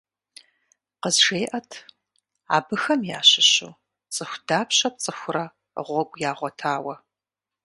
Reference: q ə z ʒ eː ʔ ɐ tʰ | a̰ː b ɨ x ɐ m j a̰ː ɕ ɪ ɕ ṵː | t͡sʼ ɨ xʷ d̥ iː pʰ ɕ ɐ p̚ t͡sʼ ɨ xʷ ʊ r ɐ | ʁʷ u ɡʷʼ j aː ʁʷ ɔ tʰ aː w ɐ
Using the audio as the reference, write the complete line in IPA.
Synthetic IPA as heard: q ə z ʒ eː ʔ ɐ tʰ | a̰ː b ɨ x ɐ m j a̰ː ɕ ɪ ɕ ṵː | t͡sʼ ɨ xʷ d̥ aː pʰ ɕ ɐ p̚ t͡sʼ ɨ xʷ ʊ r ɐ | ʁʷ ɔ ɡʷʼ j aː ʁʷ ɔ tʰ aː w ɐ